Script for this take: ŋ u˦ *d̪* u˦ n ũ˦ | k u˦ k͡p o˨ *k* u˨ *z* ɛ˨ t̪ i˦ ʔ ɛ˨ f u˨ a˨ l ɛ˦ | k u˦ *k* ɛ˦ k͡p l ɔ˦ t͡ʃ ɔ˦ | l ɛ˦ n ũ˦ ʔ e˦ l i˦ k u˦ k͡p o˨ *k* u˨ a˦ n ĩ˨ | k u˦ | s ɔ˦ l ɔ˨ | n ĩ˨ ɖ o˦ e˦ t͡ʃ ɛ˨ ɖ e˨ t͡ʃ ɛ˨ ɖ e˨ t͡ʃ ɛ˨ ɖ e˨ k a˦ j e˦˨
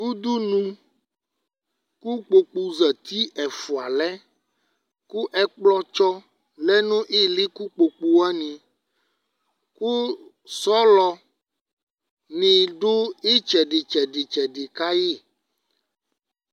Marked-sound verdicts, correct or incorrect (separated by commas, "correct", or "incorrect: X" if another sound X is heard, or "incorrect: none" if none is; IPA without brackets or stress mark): correct, incorrect: k͡p, correct, incorrect: ʔ, incorrect: k͡p